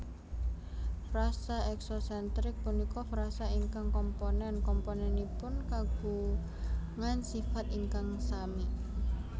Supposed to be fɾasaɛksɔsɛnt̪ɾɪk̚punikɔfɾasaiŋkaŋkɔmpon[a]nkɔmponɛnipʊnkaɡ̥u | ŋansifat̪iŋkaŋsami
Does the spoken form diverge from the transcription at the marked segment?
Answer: yes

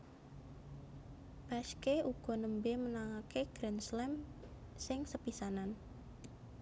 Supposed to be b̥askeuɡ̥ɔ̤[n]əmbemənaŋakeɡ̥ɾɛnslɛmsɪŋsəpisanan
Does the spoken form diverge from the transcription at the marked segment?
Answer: no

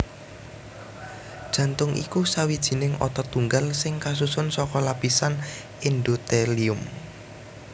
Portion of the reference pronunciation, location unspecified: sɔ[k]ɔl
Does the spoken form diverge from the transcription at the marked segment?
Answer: no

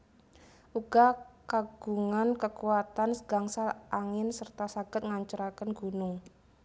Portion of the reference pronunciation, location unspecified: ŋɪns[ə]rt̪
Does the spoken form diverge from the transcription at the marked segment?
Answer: no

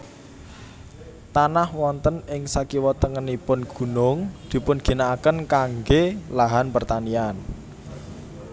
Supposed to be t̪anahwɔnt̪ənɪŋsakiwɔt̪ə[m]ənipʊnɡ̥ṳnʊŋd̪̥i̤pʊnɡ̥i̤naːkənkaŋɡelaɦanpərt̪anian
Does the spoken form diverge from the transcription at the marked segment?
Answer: yes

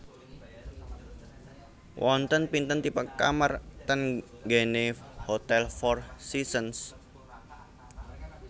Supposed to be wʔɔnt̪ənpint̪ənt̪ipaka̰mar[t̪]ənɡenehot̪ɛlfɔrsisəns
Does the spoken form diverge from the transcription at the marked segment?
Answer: no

